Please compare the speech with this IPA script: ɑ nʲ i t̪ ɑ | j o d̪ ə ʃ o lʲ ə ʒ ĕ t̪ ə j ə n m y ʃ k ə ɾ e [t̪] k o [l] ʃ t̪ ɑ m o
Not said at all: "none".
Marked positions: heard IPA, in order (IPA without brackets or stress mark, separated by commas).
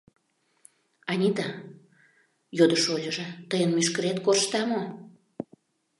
t̪, r